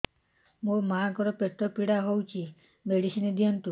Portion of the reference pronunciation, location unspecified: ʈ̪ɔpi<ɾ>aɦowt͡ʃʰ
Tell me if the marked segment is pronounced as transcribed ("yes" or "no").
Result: no